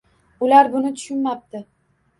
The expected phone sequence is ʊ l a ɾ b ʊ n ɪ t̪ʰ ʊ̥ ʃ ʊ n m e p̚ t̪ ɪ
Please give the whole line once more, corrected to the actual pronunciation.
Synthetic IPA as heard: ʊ l a ɾ b ʊ n ɪ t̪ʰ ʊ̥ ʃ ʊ n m a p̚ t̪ ɪ